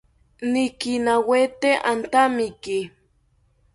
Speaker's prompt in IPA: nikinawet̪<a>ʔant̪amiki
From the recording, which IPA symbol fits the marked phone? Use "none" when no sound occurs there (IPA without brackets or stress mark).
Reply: e